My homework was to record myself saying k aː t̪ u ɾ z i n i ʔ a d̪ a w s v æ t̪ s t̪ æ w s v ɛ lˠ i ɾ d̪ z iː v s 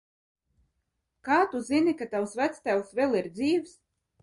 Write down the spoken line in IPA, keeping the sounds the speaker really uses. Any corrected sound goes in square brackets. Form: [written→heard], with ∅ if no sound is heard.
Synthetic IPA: k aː t̪ u [ɾ→∅] z i n i [ʔ→k] a [d̪→t̪] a w s v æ t̪ s t̪ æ w s v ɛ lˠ i ɾ d̪ z iː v s